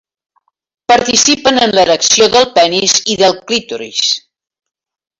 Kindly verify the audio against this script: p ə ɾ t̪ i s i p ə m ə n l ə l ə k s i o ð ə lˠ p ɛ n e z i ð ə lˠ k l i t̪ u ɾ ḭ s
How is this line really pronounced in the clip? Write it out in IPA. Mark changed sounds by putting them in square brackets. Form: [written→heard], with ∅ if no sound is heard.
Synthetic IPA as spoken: p ə ɾ t̪ i s i p ə [m→n] ə n l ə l ə k s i o ð ə lˠ p ɛ n [e→i] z i ð ə lˠ k l i t̪ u ɾ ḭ s